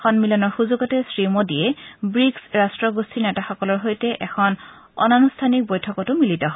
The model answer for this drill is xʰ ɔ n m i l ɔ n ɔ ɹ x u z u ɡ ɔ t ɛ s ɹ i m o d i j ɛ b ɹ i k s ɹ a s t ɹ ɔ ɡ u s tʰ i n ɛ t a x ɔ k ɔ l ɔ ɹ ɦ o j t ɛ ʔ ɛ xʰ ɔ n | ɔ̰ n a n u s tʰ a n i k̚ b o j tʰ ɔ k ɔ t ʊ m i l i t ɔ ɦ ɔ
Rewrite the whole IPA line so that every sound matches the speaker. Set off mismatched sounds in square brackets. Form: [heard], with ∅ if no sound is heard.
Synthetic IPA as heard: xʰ ɔ n m i l ɔ n ɔ ɹ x u z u ɡ ɔ t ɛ s ɹ i m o d i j ɛ b ɹ i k s ɹ a s t ɹ ɔ ɡ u s tʰ i n ɛ t a x ɔ k ɔ l ɔ ɹ ɦ o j t ɛ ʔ ɛ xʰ ɔ n | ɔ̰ n a n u s tʰ a n i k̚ b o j tʰ ɔ k ɔ t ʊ m i l i t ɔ ɦ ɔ